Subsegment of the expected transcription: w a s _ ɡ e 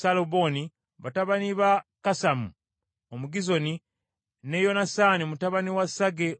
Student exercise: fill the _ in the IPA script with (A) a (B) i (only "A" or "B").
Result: A